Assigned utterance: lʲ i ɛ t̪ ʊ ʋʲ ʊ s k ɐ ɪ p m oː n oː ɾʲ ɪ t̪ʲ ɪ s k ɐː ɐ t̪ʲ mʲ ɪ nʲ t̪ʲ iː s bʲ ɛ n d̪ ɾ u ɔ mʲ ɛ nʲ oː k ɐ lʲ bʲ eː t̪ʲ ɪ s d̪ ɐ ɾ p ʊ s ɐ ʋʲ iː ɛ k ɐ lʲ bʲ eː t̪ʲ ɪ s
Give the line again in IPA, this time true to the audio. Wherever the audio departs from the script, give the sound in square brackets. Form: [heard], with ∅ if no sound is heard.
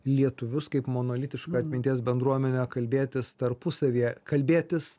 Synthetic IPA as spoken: lʲ i ɛ t̪ ʊ ʋʲ ʊ s k ɐ ɪ p m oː n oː [lʲ] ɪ t̪ʲ ɪ [ʃ] k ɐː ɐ t̪ʲ mʲ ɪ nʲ t̪ʲ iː s bʲ ɛ n d̪ ɾ u ɔ mʲ ɛ nʲ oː k ɐ lʲ bʲ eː t̪ʲ ɪ s [t̪] ɐ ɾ p ʊ s ɐ ʋʲ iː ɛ k ɐ lʲ bʲ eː t̪ʲ ɪ s